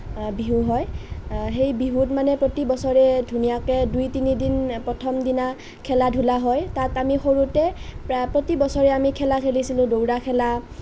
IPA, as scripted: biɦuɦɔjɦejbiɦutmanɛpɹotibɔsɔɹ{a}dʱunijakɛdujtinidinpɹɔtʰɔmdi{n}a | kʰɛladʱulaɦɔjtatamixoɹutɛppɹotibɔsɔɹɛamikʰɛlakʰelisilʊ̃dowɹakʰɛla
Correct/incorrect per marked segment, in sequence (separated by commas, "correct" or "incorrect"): incorrect, correct